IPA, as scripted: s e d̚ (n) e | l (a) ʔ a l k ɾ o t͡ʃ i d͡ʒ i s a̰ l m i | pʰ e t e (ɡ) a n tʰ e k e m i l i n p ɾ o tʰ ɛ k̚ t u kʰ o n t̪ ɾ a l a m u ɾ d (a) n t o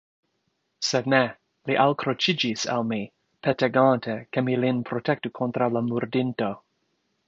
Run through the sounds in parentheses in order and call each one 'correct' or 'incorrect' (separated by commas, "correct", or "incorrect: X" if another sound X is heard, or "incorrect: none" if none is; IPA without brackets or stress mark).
correct, incorrect: i, correct, incorrect: i